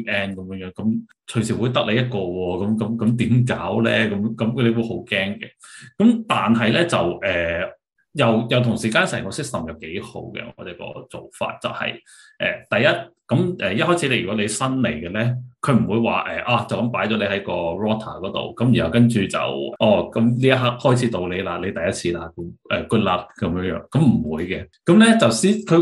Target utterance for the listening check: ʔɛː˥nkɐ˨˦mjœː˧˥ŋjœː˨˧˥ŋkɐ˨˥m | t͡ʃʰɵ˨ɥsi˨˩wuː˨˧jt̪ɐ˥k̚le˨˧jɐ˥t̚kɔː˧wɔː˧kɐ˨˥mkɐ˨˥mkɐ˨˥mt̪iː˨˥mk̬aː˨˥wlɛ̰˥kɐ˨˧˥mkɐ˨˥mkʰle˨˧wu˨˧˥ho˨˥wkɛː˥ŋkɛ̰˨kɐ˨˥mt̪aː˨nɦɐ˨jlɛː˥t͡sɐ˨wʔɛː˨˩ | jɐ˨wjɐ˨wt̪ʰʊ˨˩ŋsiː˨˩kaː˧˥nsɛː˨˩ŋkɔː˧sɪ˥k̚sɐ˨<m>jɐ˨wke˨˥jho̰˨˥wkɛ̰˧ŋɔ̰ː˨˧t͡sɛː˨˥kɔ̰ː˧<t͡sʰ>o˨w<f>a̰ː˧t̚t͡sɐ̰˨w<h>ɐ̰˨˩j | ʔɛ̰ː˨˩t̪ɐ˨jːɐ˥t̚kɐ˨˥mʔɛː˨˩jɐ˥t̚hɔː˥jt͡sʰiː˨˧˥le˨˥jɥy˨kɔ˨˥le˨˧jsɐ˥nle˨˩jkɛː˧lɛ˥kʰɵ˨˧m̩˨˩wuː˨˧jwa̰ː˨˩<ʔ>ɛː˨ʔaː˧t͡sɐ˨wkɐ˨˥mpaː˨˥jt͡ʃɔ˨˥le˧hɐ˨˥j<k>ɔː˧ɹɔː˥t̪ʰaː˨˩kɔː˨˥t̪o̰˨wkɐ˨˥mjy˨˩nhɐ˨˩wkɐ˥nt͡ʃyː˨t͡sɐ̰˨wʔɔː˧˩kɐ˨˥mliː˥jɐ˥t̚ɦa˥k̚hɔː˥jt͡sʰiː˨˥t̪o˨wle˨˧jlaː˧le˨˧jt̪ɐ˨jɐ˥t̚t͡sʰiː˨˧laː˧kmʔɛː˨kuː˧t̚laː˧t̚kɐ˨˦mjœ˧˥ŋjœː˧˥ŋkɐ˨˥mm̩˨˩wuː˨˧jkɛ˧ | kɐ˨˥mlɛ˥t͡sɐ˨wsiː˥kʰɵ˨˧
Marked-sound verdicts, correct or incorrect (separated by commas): correct, incorrect, correct, correct, correct, correct